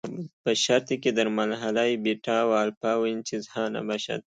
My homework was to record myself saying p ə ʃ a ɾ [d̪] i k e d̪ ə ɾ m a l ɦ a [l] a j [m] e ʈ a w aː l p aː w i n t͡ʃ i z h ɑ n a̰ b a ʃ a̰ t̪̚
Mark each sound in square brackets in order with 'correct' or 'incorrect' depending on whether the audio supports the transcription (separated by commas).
incorrect, correct, incorrect